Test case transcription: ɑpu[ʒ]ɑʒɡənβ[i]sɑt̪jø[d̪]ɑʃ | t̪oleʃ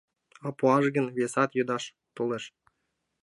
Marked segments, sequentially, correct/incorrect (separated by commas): incorrect, incorrect, correct